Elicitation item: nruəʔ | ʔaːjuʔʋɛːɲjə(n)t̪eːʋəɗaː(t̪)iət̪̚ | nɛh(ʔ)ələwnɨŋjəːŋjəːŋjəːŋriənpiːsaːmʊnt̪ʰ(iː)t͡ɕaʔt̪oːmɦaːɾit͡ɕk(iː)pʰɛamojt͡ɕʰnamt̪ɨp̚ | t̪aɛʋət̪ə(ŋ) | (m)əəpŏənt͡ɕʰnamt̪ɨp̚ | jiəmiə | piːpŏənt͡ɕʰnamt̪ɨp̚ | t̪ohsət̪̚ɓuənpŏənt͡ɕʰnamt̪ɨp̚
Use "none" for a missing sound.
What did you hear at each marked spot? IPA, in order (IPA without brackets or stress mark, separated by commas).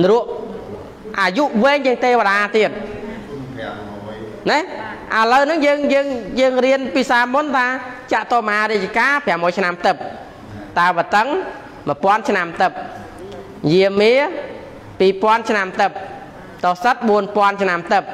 ŋ, t̪, ʔ, aː, aː, ŋ, m